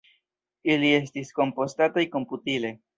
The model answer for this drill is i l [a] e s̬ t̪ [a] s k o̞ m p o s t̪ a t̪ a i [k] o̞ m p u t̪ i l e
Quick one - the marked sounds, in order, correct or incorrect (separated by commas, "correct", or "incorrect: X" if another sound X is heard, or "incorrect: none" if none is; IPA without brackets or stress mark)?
incorrect: i, incorrect: i, correct